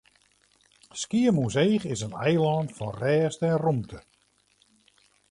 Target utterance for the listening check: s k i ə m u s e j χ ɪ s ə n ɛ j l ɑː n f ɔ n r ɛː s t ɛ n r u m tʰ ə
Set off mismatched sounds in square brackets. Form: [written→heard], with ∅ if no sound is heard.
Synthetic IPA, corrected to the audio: s k i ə m u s e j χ ɪ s ə n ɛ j l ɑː n f ɔ n r ɛː s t ɛ n r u m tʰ ə

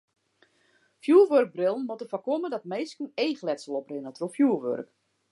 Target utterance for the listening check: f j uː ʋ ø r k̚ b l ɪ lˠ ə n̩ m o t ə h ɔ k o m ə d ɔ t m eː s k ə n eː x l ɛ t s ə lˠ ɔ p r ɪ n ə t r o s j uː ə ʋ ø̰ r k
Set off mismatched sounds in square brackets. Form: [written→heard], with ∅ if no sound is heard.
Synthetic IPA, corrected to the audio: f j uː ʋ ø r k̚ b [l→r] ɪ lˠ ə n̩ m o t ə [h→f] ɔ k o m ə d ɔ t m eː s k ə n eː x l ɛ t s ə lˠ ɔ p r ɪ n ə t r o [s→f] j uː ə ʋ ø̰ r k

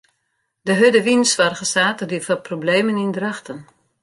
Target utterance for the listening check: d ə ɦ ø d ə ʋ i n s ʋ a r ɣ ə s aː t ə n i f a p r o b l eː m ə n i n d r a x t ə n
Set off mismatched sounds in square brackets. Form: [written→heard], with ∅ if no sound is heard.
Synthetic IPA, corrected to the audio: d ə ɦ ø d ə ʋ i n s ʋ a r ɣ ə s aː t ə [n→d] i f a p r o b l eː m ə n i n d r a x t ə n

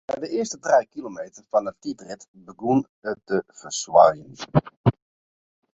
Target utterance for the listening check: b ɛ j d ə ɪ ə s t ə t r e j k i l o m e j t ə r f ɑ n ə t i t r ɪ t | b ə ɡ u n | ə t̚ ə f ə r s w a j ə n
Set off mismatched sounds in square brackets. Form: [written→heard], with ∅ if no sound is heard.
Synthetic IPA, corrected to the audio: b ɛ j d ə ɪ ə s t ə t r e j k i l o m e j t ə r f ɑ n ə t i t r ɪ t | b ə ɡ u n | ə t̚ ə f ə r s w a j ə n

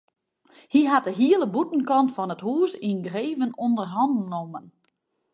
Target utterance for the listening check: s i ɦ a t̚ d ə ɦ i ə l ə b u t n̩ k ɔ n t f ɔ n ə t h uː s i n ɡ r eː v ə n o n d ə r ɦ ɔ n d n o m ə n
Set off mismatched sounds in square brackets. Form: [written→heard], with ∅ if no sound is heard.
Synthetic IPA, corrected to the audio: [s→h] i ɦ a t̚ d ə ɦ i ə l ə b u t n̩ k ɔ n t f ɔ n ə t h uː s i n ɡ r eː v ə n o n d ə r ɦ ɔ n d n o m ə n

